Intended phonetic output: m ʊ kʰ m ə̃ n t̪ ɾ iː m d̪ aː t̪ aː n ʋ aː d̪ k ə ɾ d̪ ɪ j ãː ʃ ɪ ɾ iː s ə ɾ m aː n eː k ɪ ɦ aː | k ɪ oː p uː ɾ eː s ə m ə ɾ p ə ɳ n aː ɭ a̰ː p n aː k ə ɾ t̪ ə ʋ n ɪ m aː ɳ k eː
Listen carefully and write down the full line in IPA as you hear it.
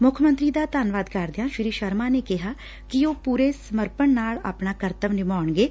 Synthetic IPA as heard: m ʊ kʰ m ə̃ n t̪ ɾ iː d̪ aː t̪ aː n ʋ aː d̪ k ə ɾ d̪ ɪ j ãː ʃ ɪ ɾ iː ʃ ə ɾ m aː n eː k ɪ ɦ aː | k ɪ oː p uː ɾ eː s ə m ə ɾ p ə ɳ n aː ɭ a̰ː p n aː k ə ɾ t̪ ə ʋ n ɪ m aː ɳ ɡ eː